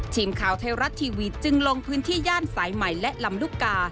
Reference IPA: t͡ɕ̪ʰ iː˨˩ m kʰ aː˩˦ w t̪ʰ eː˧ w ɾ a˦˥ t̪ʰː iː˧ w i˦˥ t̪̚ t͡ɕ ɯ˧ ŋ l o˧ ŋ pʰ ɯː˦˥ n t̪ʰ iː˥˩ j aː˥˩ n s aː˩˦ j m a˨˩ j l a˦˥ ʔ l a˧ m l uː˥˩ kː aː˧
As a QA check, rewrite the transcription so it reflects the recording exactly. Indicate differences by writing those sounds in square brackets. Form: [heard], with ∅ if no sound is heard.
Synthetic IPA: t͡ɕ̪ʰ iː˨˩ m kʰ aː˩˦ w t̪ʰ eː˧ w ɾ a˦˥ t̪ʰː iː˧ w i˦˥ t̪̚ t͡ɕ ɯ˧ ŋ l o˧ ŋ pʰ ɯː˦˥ n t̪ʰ iː˥˩ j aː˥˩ n s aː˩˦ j m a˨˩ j l [ɛ˦˥] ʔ l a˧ m l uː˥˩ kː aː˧